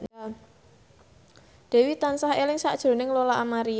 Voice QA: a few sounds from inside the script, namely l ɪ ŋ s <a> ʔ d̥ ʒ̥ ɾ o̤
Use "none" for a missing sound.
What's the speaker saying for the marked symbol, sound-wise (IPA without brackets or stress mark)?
a